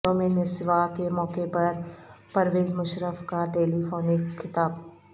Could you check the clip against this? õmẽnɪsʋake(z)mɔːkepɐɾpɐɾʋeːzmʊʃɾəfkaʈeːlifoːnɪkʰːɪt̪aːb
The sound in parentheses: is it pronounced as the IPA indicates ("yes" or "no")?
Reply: no